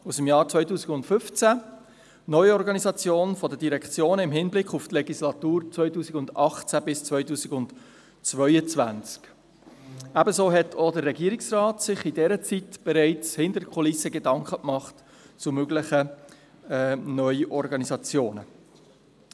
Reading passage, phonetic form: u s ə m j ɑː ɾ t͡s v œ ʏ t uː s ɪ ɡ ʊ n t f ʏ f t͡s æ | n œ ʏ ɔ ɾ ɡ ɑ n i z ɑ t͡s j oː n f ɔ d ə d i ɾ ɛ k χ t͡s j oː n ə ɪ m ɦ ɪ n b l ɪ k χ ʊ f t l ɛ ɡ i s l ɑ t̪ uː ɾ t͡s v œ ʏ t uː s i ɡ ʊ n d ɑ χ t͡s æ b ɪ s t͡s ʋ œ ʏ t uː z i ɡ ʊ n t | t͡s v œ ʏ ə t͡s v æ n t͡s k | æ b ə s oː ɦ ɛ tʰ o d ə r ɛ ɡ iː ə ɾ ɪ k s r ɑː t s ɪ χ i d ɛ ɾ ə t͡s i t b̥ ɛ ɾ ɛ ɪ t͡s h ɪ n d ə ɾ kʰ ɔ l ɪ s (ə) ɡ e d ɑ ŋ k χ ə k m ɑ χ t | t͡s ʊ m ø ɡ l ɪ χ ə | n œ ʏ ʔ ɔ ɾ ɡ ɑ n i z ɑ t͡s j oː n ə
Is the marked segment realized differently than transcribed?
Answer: no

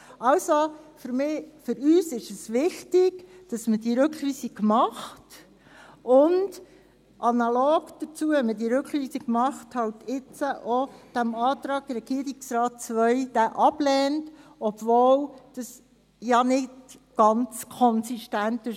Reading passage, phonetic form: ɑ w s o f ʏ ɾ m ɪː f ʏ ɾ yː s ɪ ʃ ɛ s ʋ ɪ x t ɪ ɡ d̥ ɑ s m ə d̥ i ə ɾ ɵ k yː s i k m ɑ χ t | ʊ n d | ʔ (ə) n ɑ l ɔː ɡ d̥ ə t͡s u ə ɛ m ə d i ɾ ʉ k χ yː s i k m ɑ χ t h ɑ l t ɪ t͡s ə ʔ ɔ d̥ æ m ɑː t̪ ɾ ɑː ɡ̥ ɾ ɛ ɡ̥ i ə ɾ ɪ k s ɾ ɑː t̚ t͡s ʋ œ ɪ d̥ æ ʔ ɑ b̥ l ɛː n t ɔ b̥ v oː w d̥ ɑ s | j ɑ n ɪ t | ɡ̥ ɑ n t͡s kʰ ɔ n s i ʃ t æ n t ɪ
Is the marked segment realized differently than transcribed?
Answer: yes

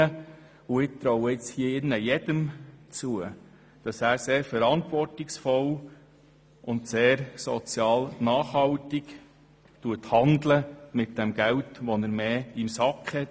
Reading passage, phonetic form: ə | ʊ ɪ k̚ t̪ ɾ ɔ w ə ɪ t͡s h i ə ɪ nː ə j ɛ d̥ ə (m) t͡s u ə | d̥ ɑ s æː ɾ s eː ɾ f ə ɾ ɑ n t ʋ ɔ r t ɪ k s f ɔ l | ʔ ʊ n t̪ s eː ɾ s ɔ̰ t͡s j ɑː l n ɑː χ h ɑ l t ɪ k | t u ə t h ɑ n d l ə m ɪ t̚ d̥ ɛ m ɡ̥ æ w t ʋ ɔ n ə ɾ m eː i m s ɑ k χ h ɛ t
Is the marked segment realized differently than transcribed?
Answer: no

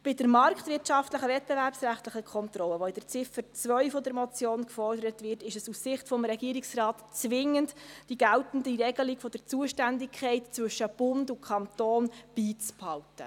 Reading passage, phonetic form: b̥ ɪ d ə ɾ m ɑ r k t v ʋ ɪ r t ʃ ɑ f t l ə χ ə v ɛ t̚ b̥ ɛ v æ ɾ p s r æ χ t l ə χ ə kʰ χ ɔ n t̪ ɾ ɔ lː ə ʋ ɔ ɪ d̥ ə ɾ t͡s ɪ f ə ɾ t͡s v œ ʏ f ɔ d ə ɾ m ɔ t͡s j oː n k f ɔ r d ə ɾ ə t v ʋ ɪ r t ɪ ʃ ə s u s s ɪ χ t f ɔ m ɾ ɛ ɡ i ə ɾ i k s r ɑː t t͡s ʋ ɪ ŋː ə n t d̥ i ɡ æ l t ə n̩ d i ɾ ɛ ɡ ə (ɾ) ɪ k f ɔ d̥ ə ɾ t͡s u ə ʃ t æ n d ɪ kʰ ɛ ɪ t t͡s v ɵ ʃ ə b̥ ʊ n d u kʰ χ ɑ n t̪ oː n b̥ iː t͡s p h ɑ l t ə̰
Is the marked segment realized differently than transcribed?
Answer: yes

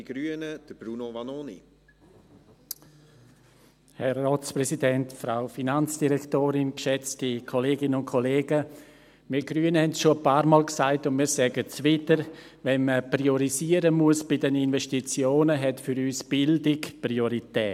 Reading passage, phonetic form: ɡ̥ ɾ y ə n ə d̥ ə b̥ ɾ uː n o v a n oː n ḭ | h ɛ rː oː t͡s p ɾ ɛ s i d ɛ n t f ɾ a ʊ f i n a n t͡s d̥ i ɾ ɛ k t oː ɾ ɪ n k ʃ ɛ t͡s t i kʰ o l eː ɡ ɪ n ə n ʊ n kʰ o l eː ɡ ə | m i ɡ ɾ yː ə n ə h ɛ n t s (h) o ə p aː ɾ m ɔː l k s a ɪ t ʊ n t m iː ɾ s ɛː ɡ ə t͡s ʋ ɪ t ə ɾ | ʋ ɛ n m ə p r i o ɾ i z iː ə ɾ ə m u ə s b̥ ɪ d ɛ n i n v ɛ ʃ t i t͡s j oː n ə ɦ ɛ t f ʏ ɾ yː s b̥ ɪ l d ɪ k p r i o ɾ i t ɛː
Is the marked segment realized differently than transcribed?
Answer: yes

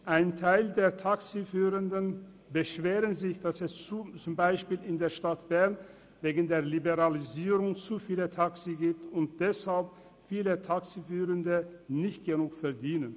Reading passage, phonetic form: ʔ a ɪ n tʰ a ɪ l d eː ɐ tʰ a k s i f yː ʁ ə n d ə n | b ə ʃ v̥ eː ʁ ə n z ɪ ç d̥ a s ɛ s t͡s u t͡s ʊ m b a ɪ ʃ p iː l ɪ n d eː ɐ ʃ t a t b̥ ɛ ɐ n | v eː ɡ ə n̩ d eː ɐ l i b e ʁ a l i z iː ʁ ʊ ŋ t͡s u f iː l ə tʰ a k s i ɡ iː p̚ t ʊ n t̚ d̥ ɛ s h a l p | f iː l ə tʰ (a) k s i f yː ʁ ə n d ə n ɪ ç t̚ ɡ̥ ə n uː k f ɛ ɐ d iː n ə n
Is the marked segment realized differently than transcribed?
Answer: no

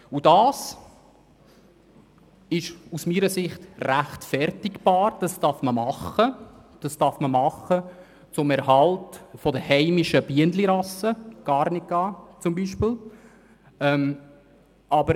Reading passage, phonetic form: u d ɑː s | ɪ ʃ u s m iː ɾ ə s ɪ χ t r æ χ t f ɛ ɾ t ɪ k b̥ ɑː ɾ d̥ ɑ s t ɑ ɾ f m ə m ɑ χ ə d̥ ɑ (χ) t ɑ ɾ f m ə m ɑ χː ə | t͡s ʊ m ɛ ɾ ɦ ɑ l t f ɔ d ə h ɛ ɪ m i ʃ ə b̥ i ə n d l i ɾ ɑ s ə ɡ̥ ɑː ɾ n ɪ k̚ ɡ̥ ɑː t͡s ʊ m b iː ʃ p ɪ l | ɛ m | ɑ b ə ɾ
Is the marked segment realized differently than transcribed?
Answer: yes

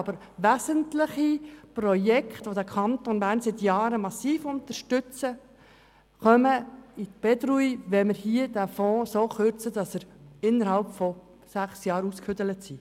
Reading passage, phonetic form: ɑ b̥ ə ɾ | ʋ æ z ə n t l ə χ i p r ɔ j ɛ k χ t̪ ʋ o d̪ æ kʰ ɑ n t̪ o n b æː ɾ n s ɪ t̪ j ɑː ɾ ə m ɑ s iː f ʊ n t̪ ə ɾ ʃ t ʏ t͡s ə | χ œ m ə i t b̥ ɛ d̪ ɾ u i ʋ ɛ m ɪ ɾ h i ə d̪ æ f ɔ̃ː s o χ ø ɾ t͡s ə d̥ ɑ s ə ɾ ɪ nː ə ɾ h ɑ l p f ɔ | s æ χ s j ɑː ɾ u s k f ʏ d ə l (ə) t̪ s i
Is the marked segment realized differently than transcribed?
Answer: no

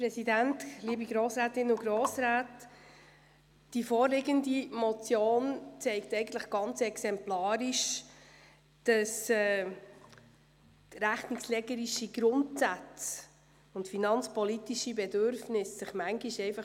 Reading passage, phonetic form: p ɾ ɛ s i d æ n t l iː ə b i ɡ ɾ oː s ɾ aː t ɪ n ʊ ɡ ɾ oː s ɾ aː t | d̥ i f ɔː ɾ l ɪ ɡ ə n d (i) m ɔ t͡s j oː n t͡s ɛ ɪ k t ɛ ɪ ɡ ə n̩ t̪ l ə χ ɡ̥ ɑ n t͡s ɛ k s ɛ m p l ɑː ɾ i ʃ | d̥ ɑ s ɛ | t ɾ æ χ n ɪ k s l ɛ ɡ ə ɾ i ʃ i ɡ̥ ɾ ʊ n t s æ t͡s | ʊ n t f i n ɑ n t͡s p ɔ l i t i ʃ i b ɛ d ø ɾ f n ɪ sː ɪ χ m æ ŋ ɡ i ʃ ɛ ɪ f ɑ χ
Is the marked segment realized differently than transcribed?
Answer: no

